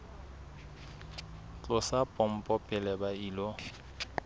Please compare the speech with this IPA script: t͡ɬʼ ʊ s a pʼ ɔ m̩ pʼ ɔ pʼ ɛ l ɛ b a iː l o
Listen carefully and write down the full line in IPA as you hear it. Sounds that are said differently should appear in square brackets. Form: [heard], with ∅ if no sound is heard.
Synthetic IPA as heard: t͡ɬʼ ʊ s a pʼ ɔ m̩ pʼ ɔ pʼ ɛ l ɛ b a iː l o